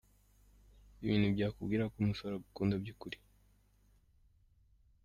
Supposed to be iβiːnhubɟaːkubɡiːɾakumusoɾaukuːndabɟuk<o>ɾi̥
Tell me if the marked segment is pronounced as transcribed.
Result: no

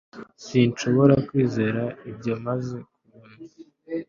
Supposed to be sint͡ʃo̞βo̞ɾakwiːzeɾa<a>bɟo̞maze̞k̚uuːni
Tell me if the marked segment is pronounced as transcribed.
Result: no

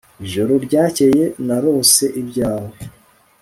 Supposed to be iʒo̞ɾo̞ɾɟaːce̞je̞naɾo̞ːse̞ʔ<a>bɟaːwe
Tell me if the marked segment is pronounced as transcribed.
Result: no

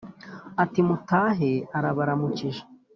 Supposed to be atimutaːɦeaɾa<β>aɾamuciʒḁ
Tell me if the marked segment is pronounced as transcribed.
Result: yes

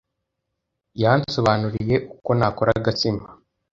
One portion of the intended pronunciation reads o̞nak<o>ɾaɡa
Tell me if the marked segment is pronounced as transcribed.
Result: yes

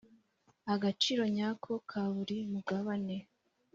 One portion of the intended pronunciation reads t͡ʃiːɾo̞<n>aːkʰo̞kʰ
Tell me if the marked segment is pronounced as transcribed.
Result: no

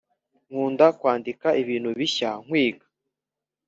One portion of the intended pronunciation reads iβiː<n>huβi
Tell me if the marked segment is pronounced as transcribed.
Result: yes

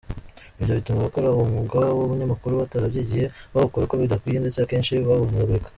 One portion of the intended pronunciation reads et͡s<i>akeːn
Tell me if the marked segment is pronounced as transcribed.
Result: no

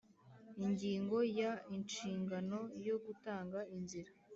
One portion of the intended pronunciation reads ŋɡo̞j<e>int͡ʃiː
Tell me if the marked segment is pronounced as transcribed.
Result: no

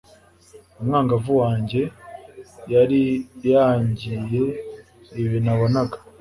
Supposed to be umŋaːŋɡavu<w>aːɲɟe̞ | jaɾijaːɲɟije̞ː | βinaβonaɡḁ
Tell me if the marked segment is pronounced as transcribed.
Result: yes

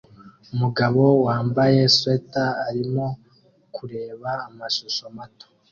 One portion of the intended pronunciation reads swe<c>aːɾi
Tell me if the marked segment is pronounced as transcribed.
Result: no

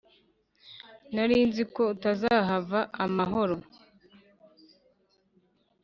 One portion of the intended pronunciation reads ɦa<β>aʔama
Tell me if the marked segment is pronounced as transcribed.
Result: no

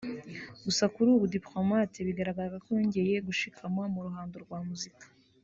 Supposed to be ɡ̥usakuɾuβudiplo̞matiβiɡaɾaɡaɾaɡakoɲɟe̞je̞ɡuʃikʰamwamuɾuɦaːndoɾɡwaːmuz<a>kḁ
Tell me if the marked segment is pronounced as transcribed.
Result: no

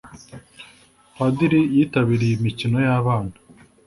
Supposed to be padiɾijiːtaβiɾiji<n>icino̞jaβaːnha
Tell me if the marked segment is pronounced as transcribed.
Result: no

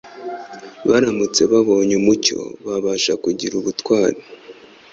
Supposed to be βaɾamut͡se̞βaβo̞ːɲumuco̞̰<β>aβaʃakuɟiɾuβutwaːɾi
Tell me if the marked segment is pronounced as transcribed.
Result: yes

